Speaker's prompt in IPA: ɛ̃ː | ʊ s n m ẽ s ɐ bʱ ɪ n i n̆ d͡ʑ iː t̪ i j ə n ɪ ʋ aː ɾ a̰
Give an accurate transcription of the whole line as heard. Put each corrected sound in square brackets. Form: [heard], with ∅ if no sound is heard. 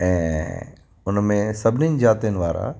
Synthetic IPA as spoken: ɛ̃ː | ʊ [∅] n m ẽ s ɐ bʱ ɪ n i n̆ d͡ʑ [aː] t̪ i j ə n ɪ ʋ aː ɾ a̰